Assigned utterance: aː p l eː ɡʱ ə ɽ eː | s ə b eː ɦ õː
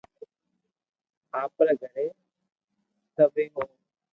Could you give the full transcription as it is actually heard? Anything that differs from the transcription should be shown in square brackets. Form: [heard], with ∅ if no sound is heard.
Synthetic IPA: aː p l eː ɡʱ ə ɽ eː | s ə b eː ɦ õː